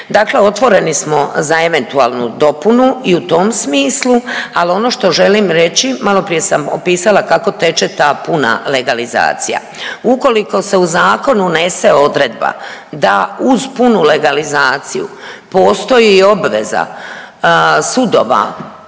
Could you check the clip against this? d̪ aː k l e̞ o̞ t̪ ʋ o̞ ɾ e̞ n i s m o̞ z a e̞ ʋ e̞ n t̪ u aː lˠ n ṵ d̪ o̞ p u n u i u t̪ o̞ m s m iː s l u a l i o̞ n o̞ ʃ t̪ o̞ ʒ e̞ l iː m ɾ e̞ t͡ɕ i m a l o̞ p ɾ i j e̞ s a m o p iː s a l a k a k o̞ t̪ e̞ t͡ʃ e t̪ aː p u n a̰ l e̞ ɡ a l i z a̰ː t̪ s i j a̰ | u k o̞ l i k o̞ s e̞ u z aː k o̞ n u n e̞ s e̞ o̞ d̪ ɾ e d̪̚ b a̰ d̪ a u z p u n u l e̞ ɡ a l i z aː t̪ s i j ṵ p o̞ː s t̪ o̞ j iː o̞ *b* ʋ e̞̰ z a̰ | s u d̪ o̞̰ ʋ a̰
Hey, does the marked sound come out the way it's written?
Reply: yes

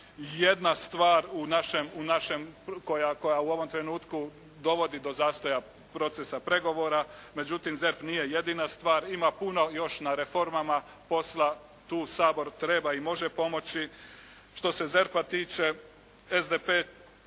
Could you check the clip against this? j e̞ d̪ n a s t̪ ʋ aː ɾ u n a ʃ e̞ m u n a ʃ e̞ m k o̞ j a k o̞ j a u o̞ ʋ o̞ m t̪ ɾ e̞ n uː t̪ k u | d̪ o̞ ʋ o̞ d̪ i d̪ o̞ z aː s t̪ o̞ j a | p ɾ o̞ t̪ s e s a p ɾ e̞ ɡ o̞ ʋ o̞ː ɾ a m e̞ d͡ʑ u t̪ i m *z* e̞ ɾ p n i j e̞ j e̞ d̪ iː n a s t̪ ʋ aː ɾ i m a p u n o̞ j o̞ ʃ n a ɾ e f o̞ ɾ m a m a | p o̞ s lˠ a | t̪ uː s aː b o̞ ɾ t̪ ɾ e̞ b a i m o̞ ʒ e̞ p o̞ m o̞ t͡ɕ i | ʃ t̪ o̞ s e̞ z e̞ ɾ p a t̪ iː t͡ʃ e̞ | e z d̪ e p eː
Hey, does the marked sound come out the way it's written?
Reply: yes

